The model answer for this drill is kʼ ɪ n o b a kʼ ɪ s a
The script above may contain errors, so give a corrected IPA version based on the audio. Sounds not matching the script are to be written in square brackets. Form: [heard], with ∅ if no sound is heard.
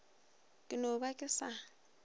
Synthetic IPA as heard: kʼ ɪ n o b a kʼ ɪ s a